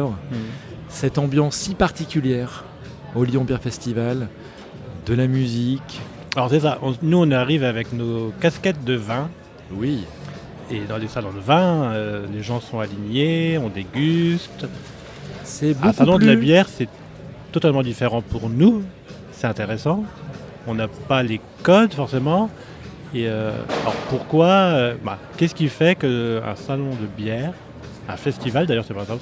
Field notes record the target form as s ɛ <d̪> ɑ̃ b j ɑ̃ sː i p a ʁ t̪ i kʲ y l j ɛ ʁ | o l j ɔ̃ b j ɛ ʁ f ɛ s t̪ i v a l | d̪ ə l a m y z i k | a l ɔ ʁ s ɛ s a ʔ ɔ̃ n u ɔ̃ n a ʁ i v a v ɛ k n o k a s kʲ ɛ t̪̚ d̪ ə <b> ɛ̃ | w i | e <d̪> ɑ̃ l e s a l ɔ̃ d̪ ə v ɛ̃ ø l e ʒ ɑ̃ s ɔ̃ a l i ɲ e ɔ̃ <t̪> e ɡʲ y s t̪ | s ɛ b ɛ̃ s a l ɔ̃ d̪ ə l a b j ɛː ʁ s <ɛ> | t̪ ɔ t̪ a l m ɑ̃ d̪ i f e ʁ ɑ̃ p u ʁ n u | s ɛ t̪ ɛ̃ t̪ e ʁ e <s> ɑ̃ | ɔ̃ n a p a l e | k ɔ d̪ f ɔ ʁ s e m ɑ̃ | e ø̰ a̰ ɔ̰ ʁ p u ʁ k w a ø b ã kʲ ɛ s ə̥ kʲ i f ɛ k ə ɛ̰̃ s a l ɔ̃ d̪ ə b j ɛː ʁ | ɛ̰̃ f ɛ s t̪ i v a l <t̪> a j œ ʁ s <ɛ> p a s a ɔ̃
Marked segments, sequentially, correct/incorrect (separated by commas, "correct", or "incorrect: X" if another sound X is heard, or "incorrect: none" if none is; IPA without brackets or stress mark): incorrect: t̪, incorrect: v, correct, incorrect: d̪, correct, correct, incorrect: d̪, correct